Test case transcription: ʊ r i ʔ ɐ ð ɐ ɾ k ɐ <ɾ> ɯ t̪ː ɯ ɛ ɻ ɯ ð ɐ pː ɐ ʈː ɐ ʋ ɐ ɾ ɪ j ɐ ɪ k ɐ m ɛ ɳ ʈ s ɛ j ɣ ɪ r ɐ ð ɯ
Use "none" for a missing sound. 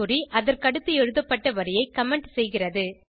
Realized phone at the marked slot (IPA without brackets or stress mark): ɽ